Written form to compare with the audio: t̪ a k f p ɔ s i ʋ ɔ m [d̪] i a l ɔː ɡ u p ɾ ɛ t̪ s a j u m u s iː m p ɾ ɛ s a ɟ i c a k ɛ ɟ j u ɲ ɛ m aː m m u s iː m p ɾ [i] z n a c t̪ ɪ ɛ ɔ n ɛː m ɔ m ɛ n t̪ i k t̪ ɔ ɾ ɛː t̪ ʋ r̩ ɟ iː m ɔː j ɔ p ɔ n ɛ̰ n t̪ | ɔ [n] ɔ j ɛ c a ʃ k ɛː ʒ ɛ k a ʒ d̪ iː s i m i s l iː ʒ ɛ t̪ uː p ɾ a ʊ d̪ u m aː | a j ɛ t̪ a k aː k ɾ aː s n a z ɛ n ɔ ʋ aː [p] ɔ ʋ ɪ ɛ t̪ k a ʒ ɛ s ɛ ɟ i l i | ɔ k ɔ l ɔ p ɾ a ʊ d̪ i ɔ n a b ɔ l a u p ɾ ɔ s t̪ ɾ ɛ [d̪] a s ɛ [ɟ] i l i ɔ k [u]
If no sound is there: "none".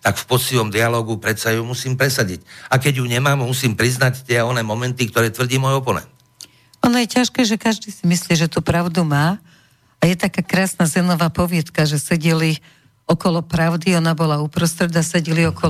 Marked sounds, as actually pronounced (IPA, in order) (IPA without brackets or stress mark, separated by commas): d̪, i, n, p, d̪, ɟ, ɔ